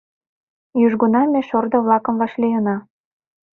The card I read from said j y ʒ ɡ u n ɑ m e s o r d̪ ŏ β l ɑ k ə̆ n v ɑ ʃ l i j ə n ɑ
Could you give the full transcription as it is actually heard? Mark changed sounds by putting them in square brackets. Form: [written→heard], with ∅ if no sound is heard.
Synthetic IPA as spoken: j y ʒ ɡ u n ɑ m e [s→ʃ] o r d̪ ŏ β l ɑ k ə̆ [n→m] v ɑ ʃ l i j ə n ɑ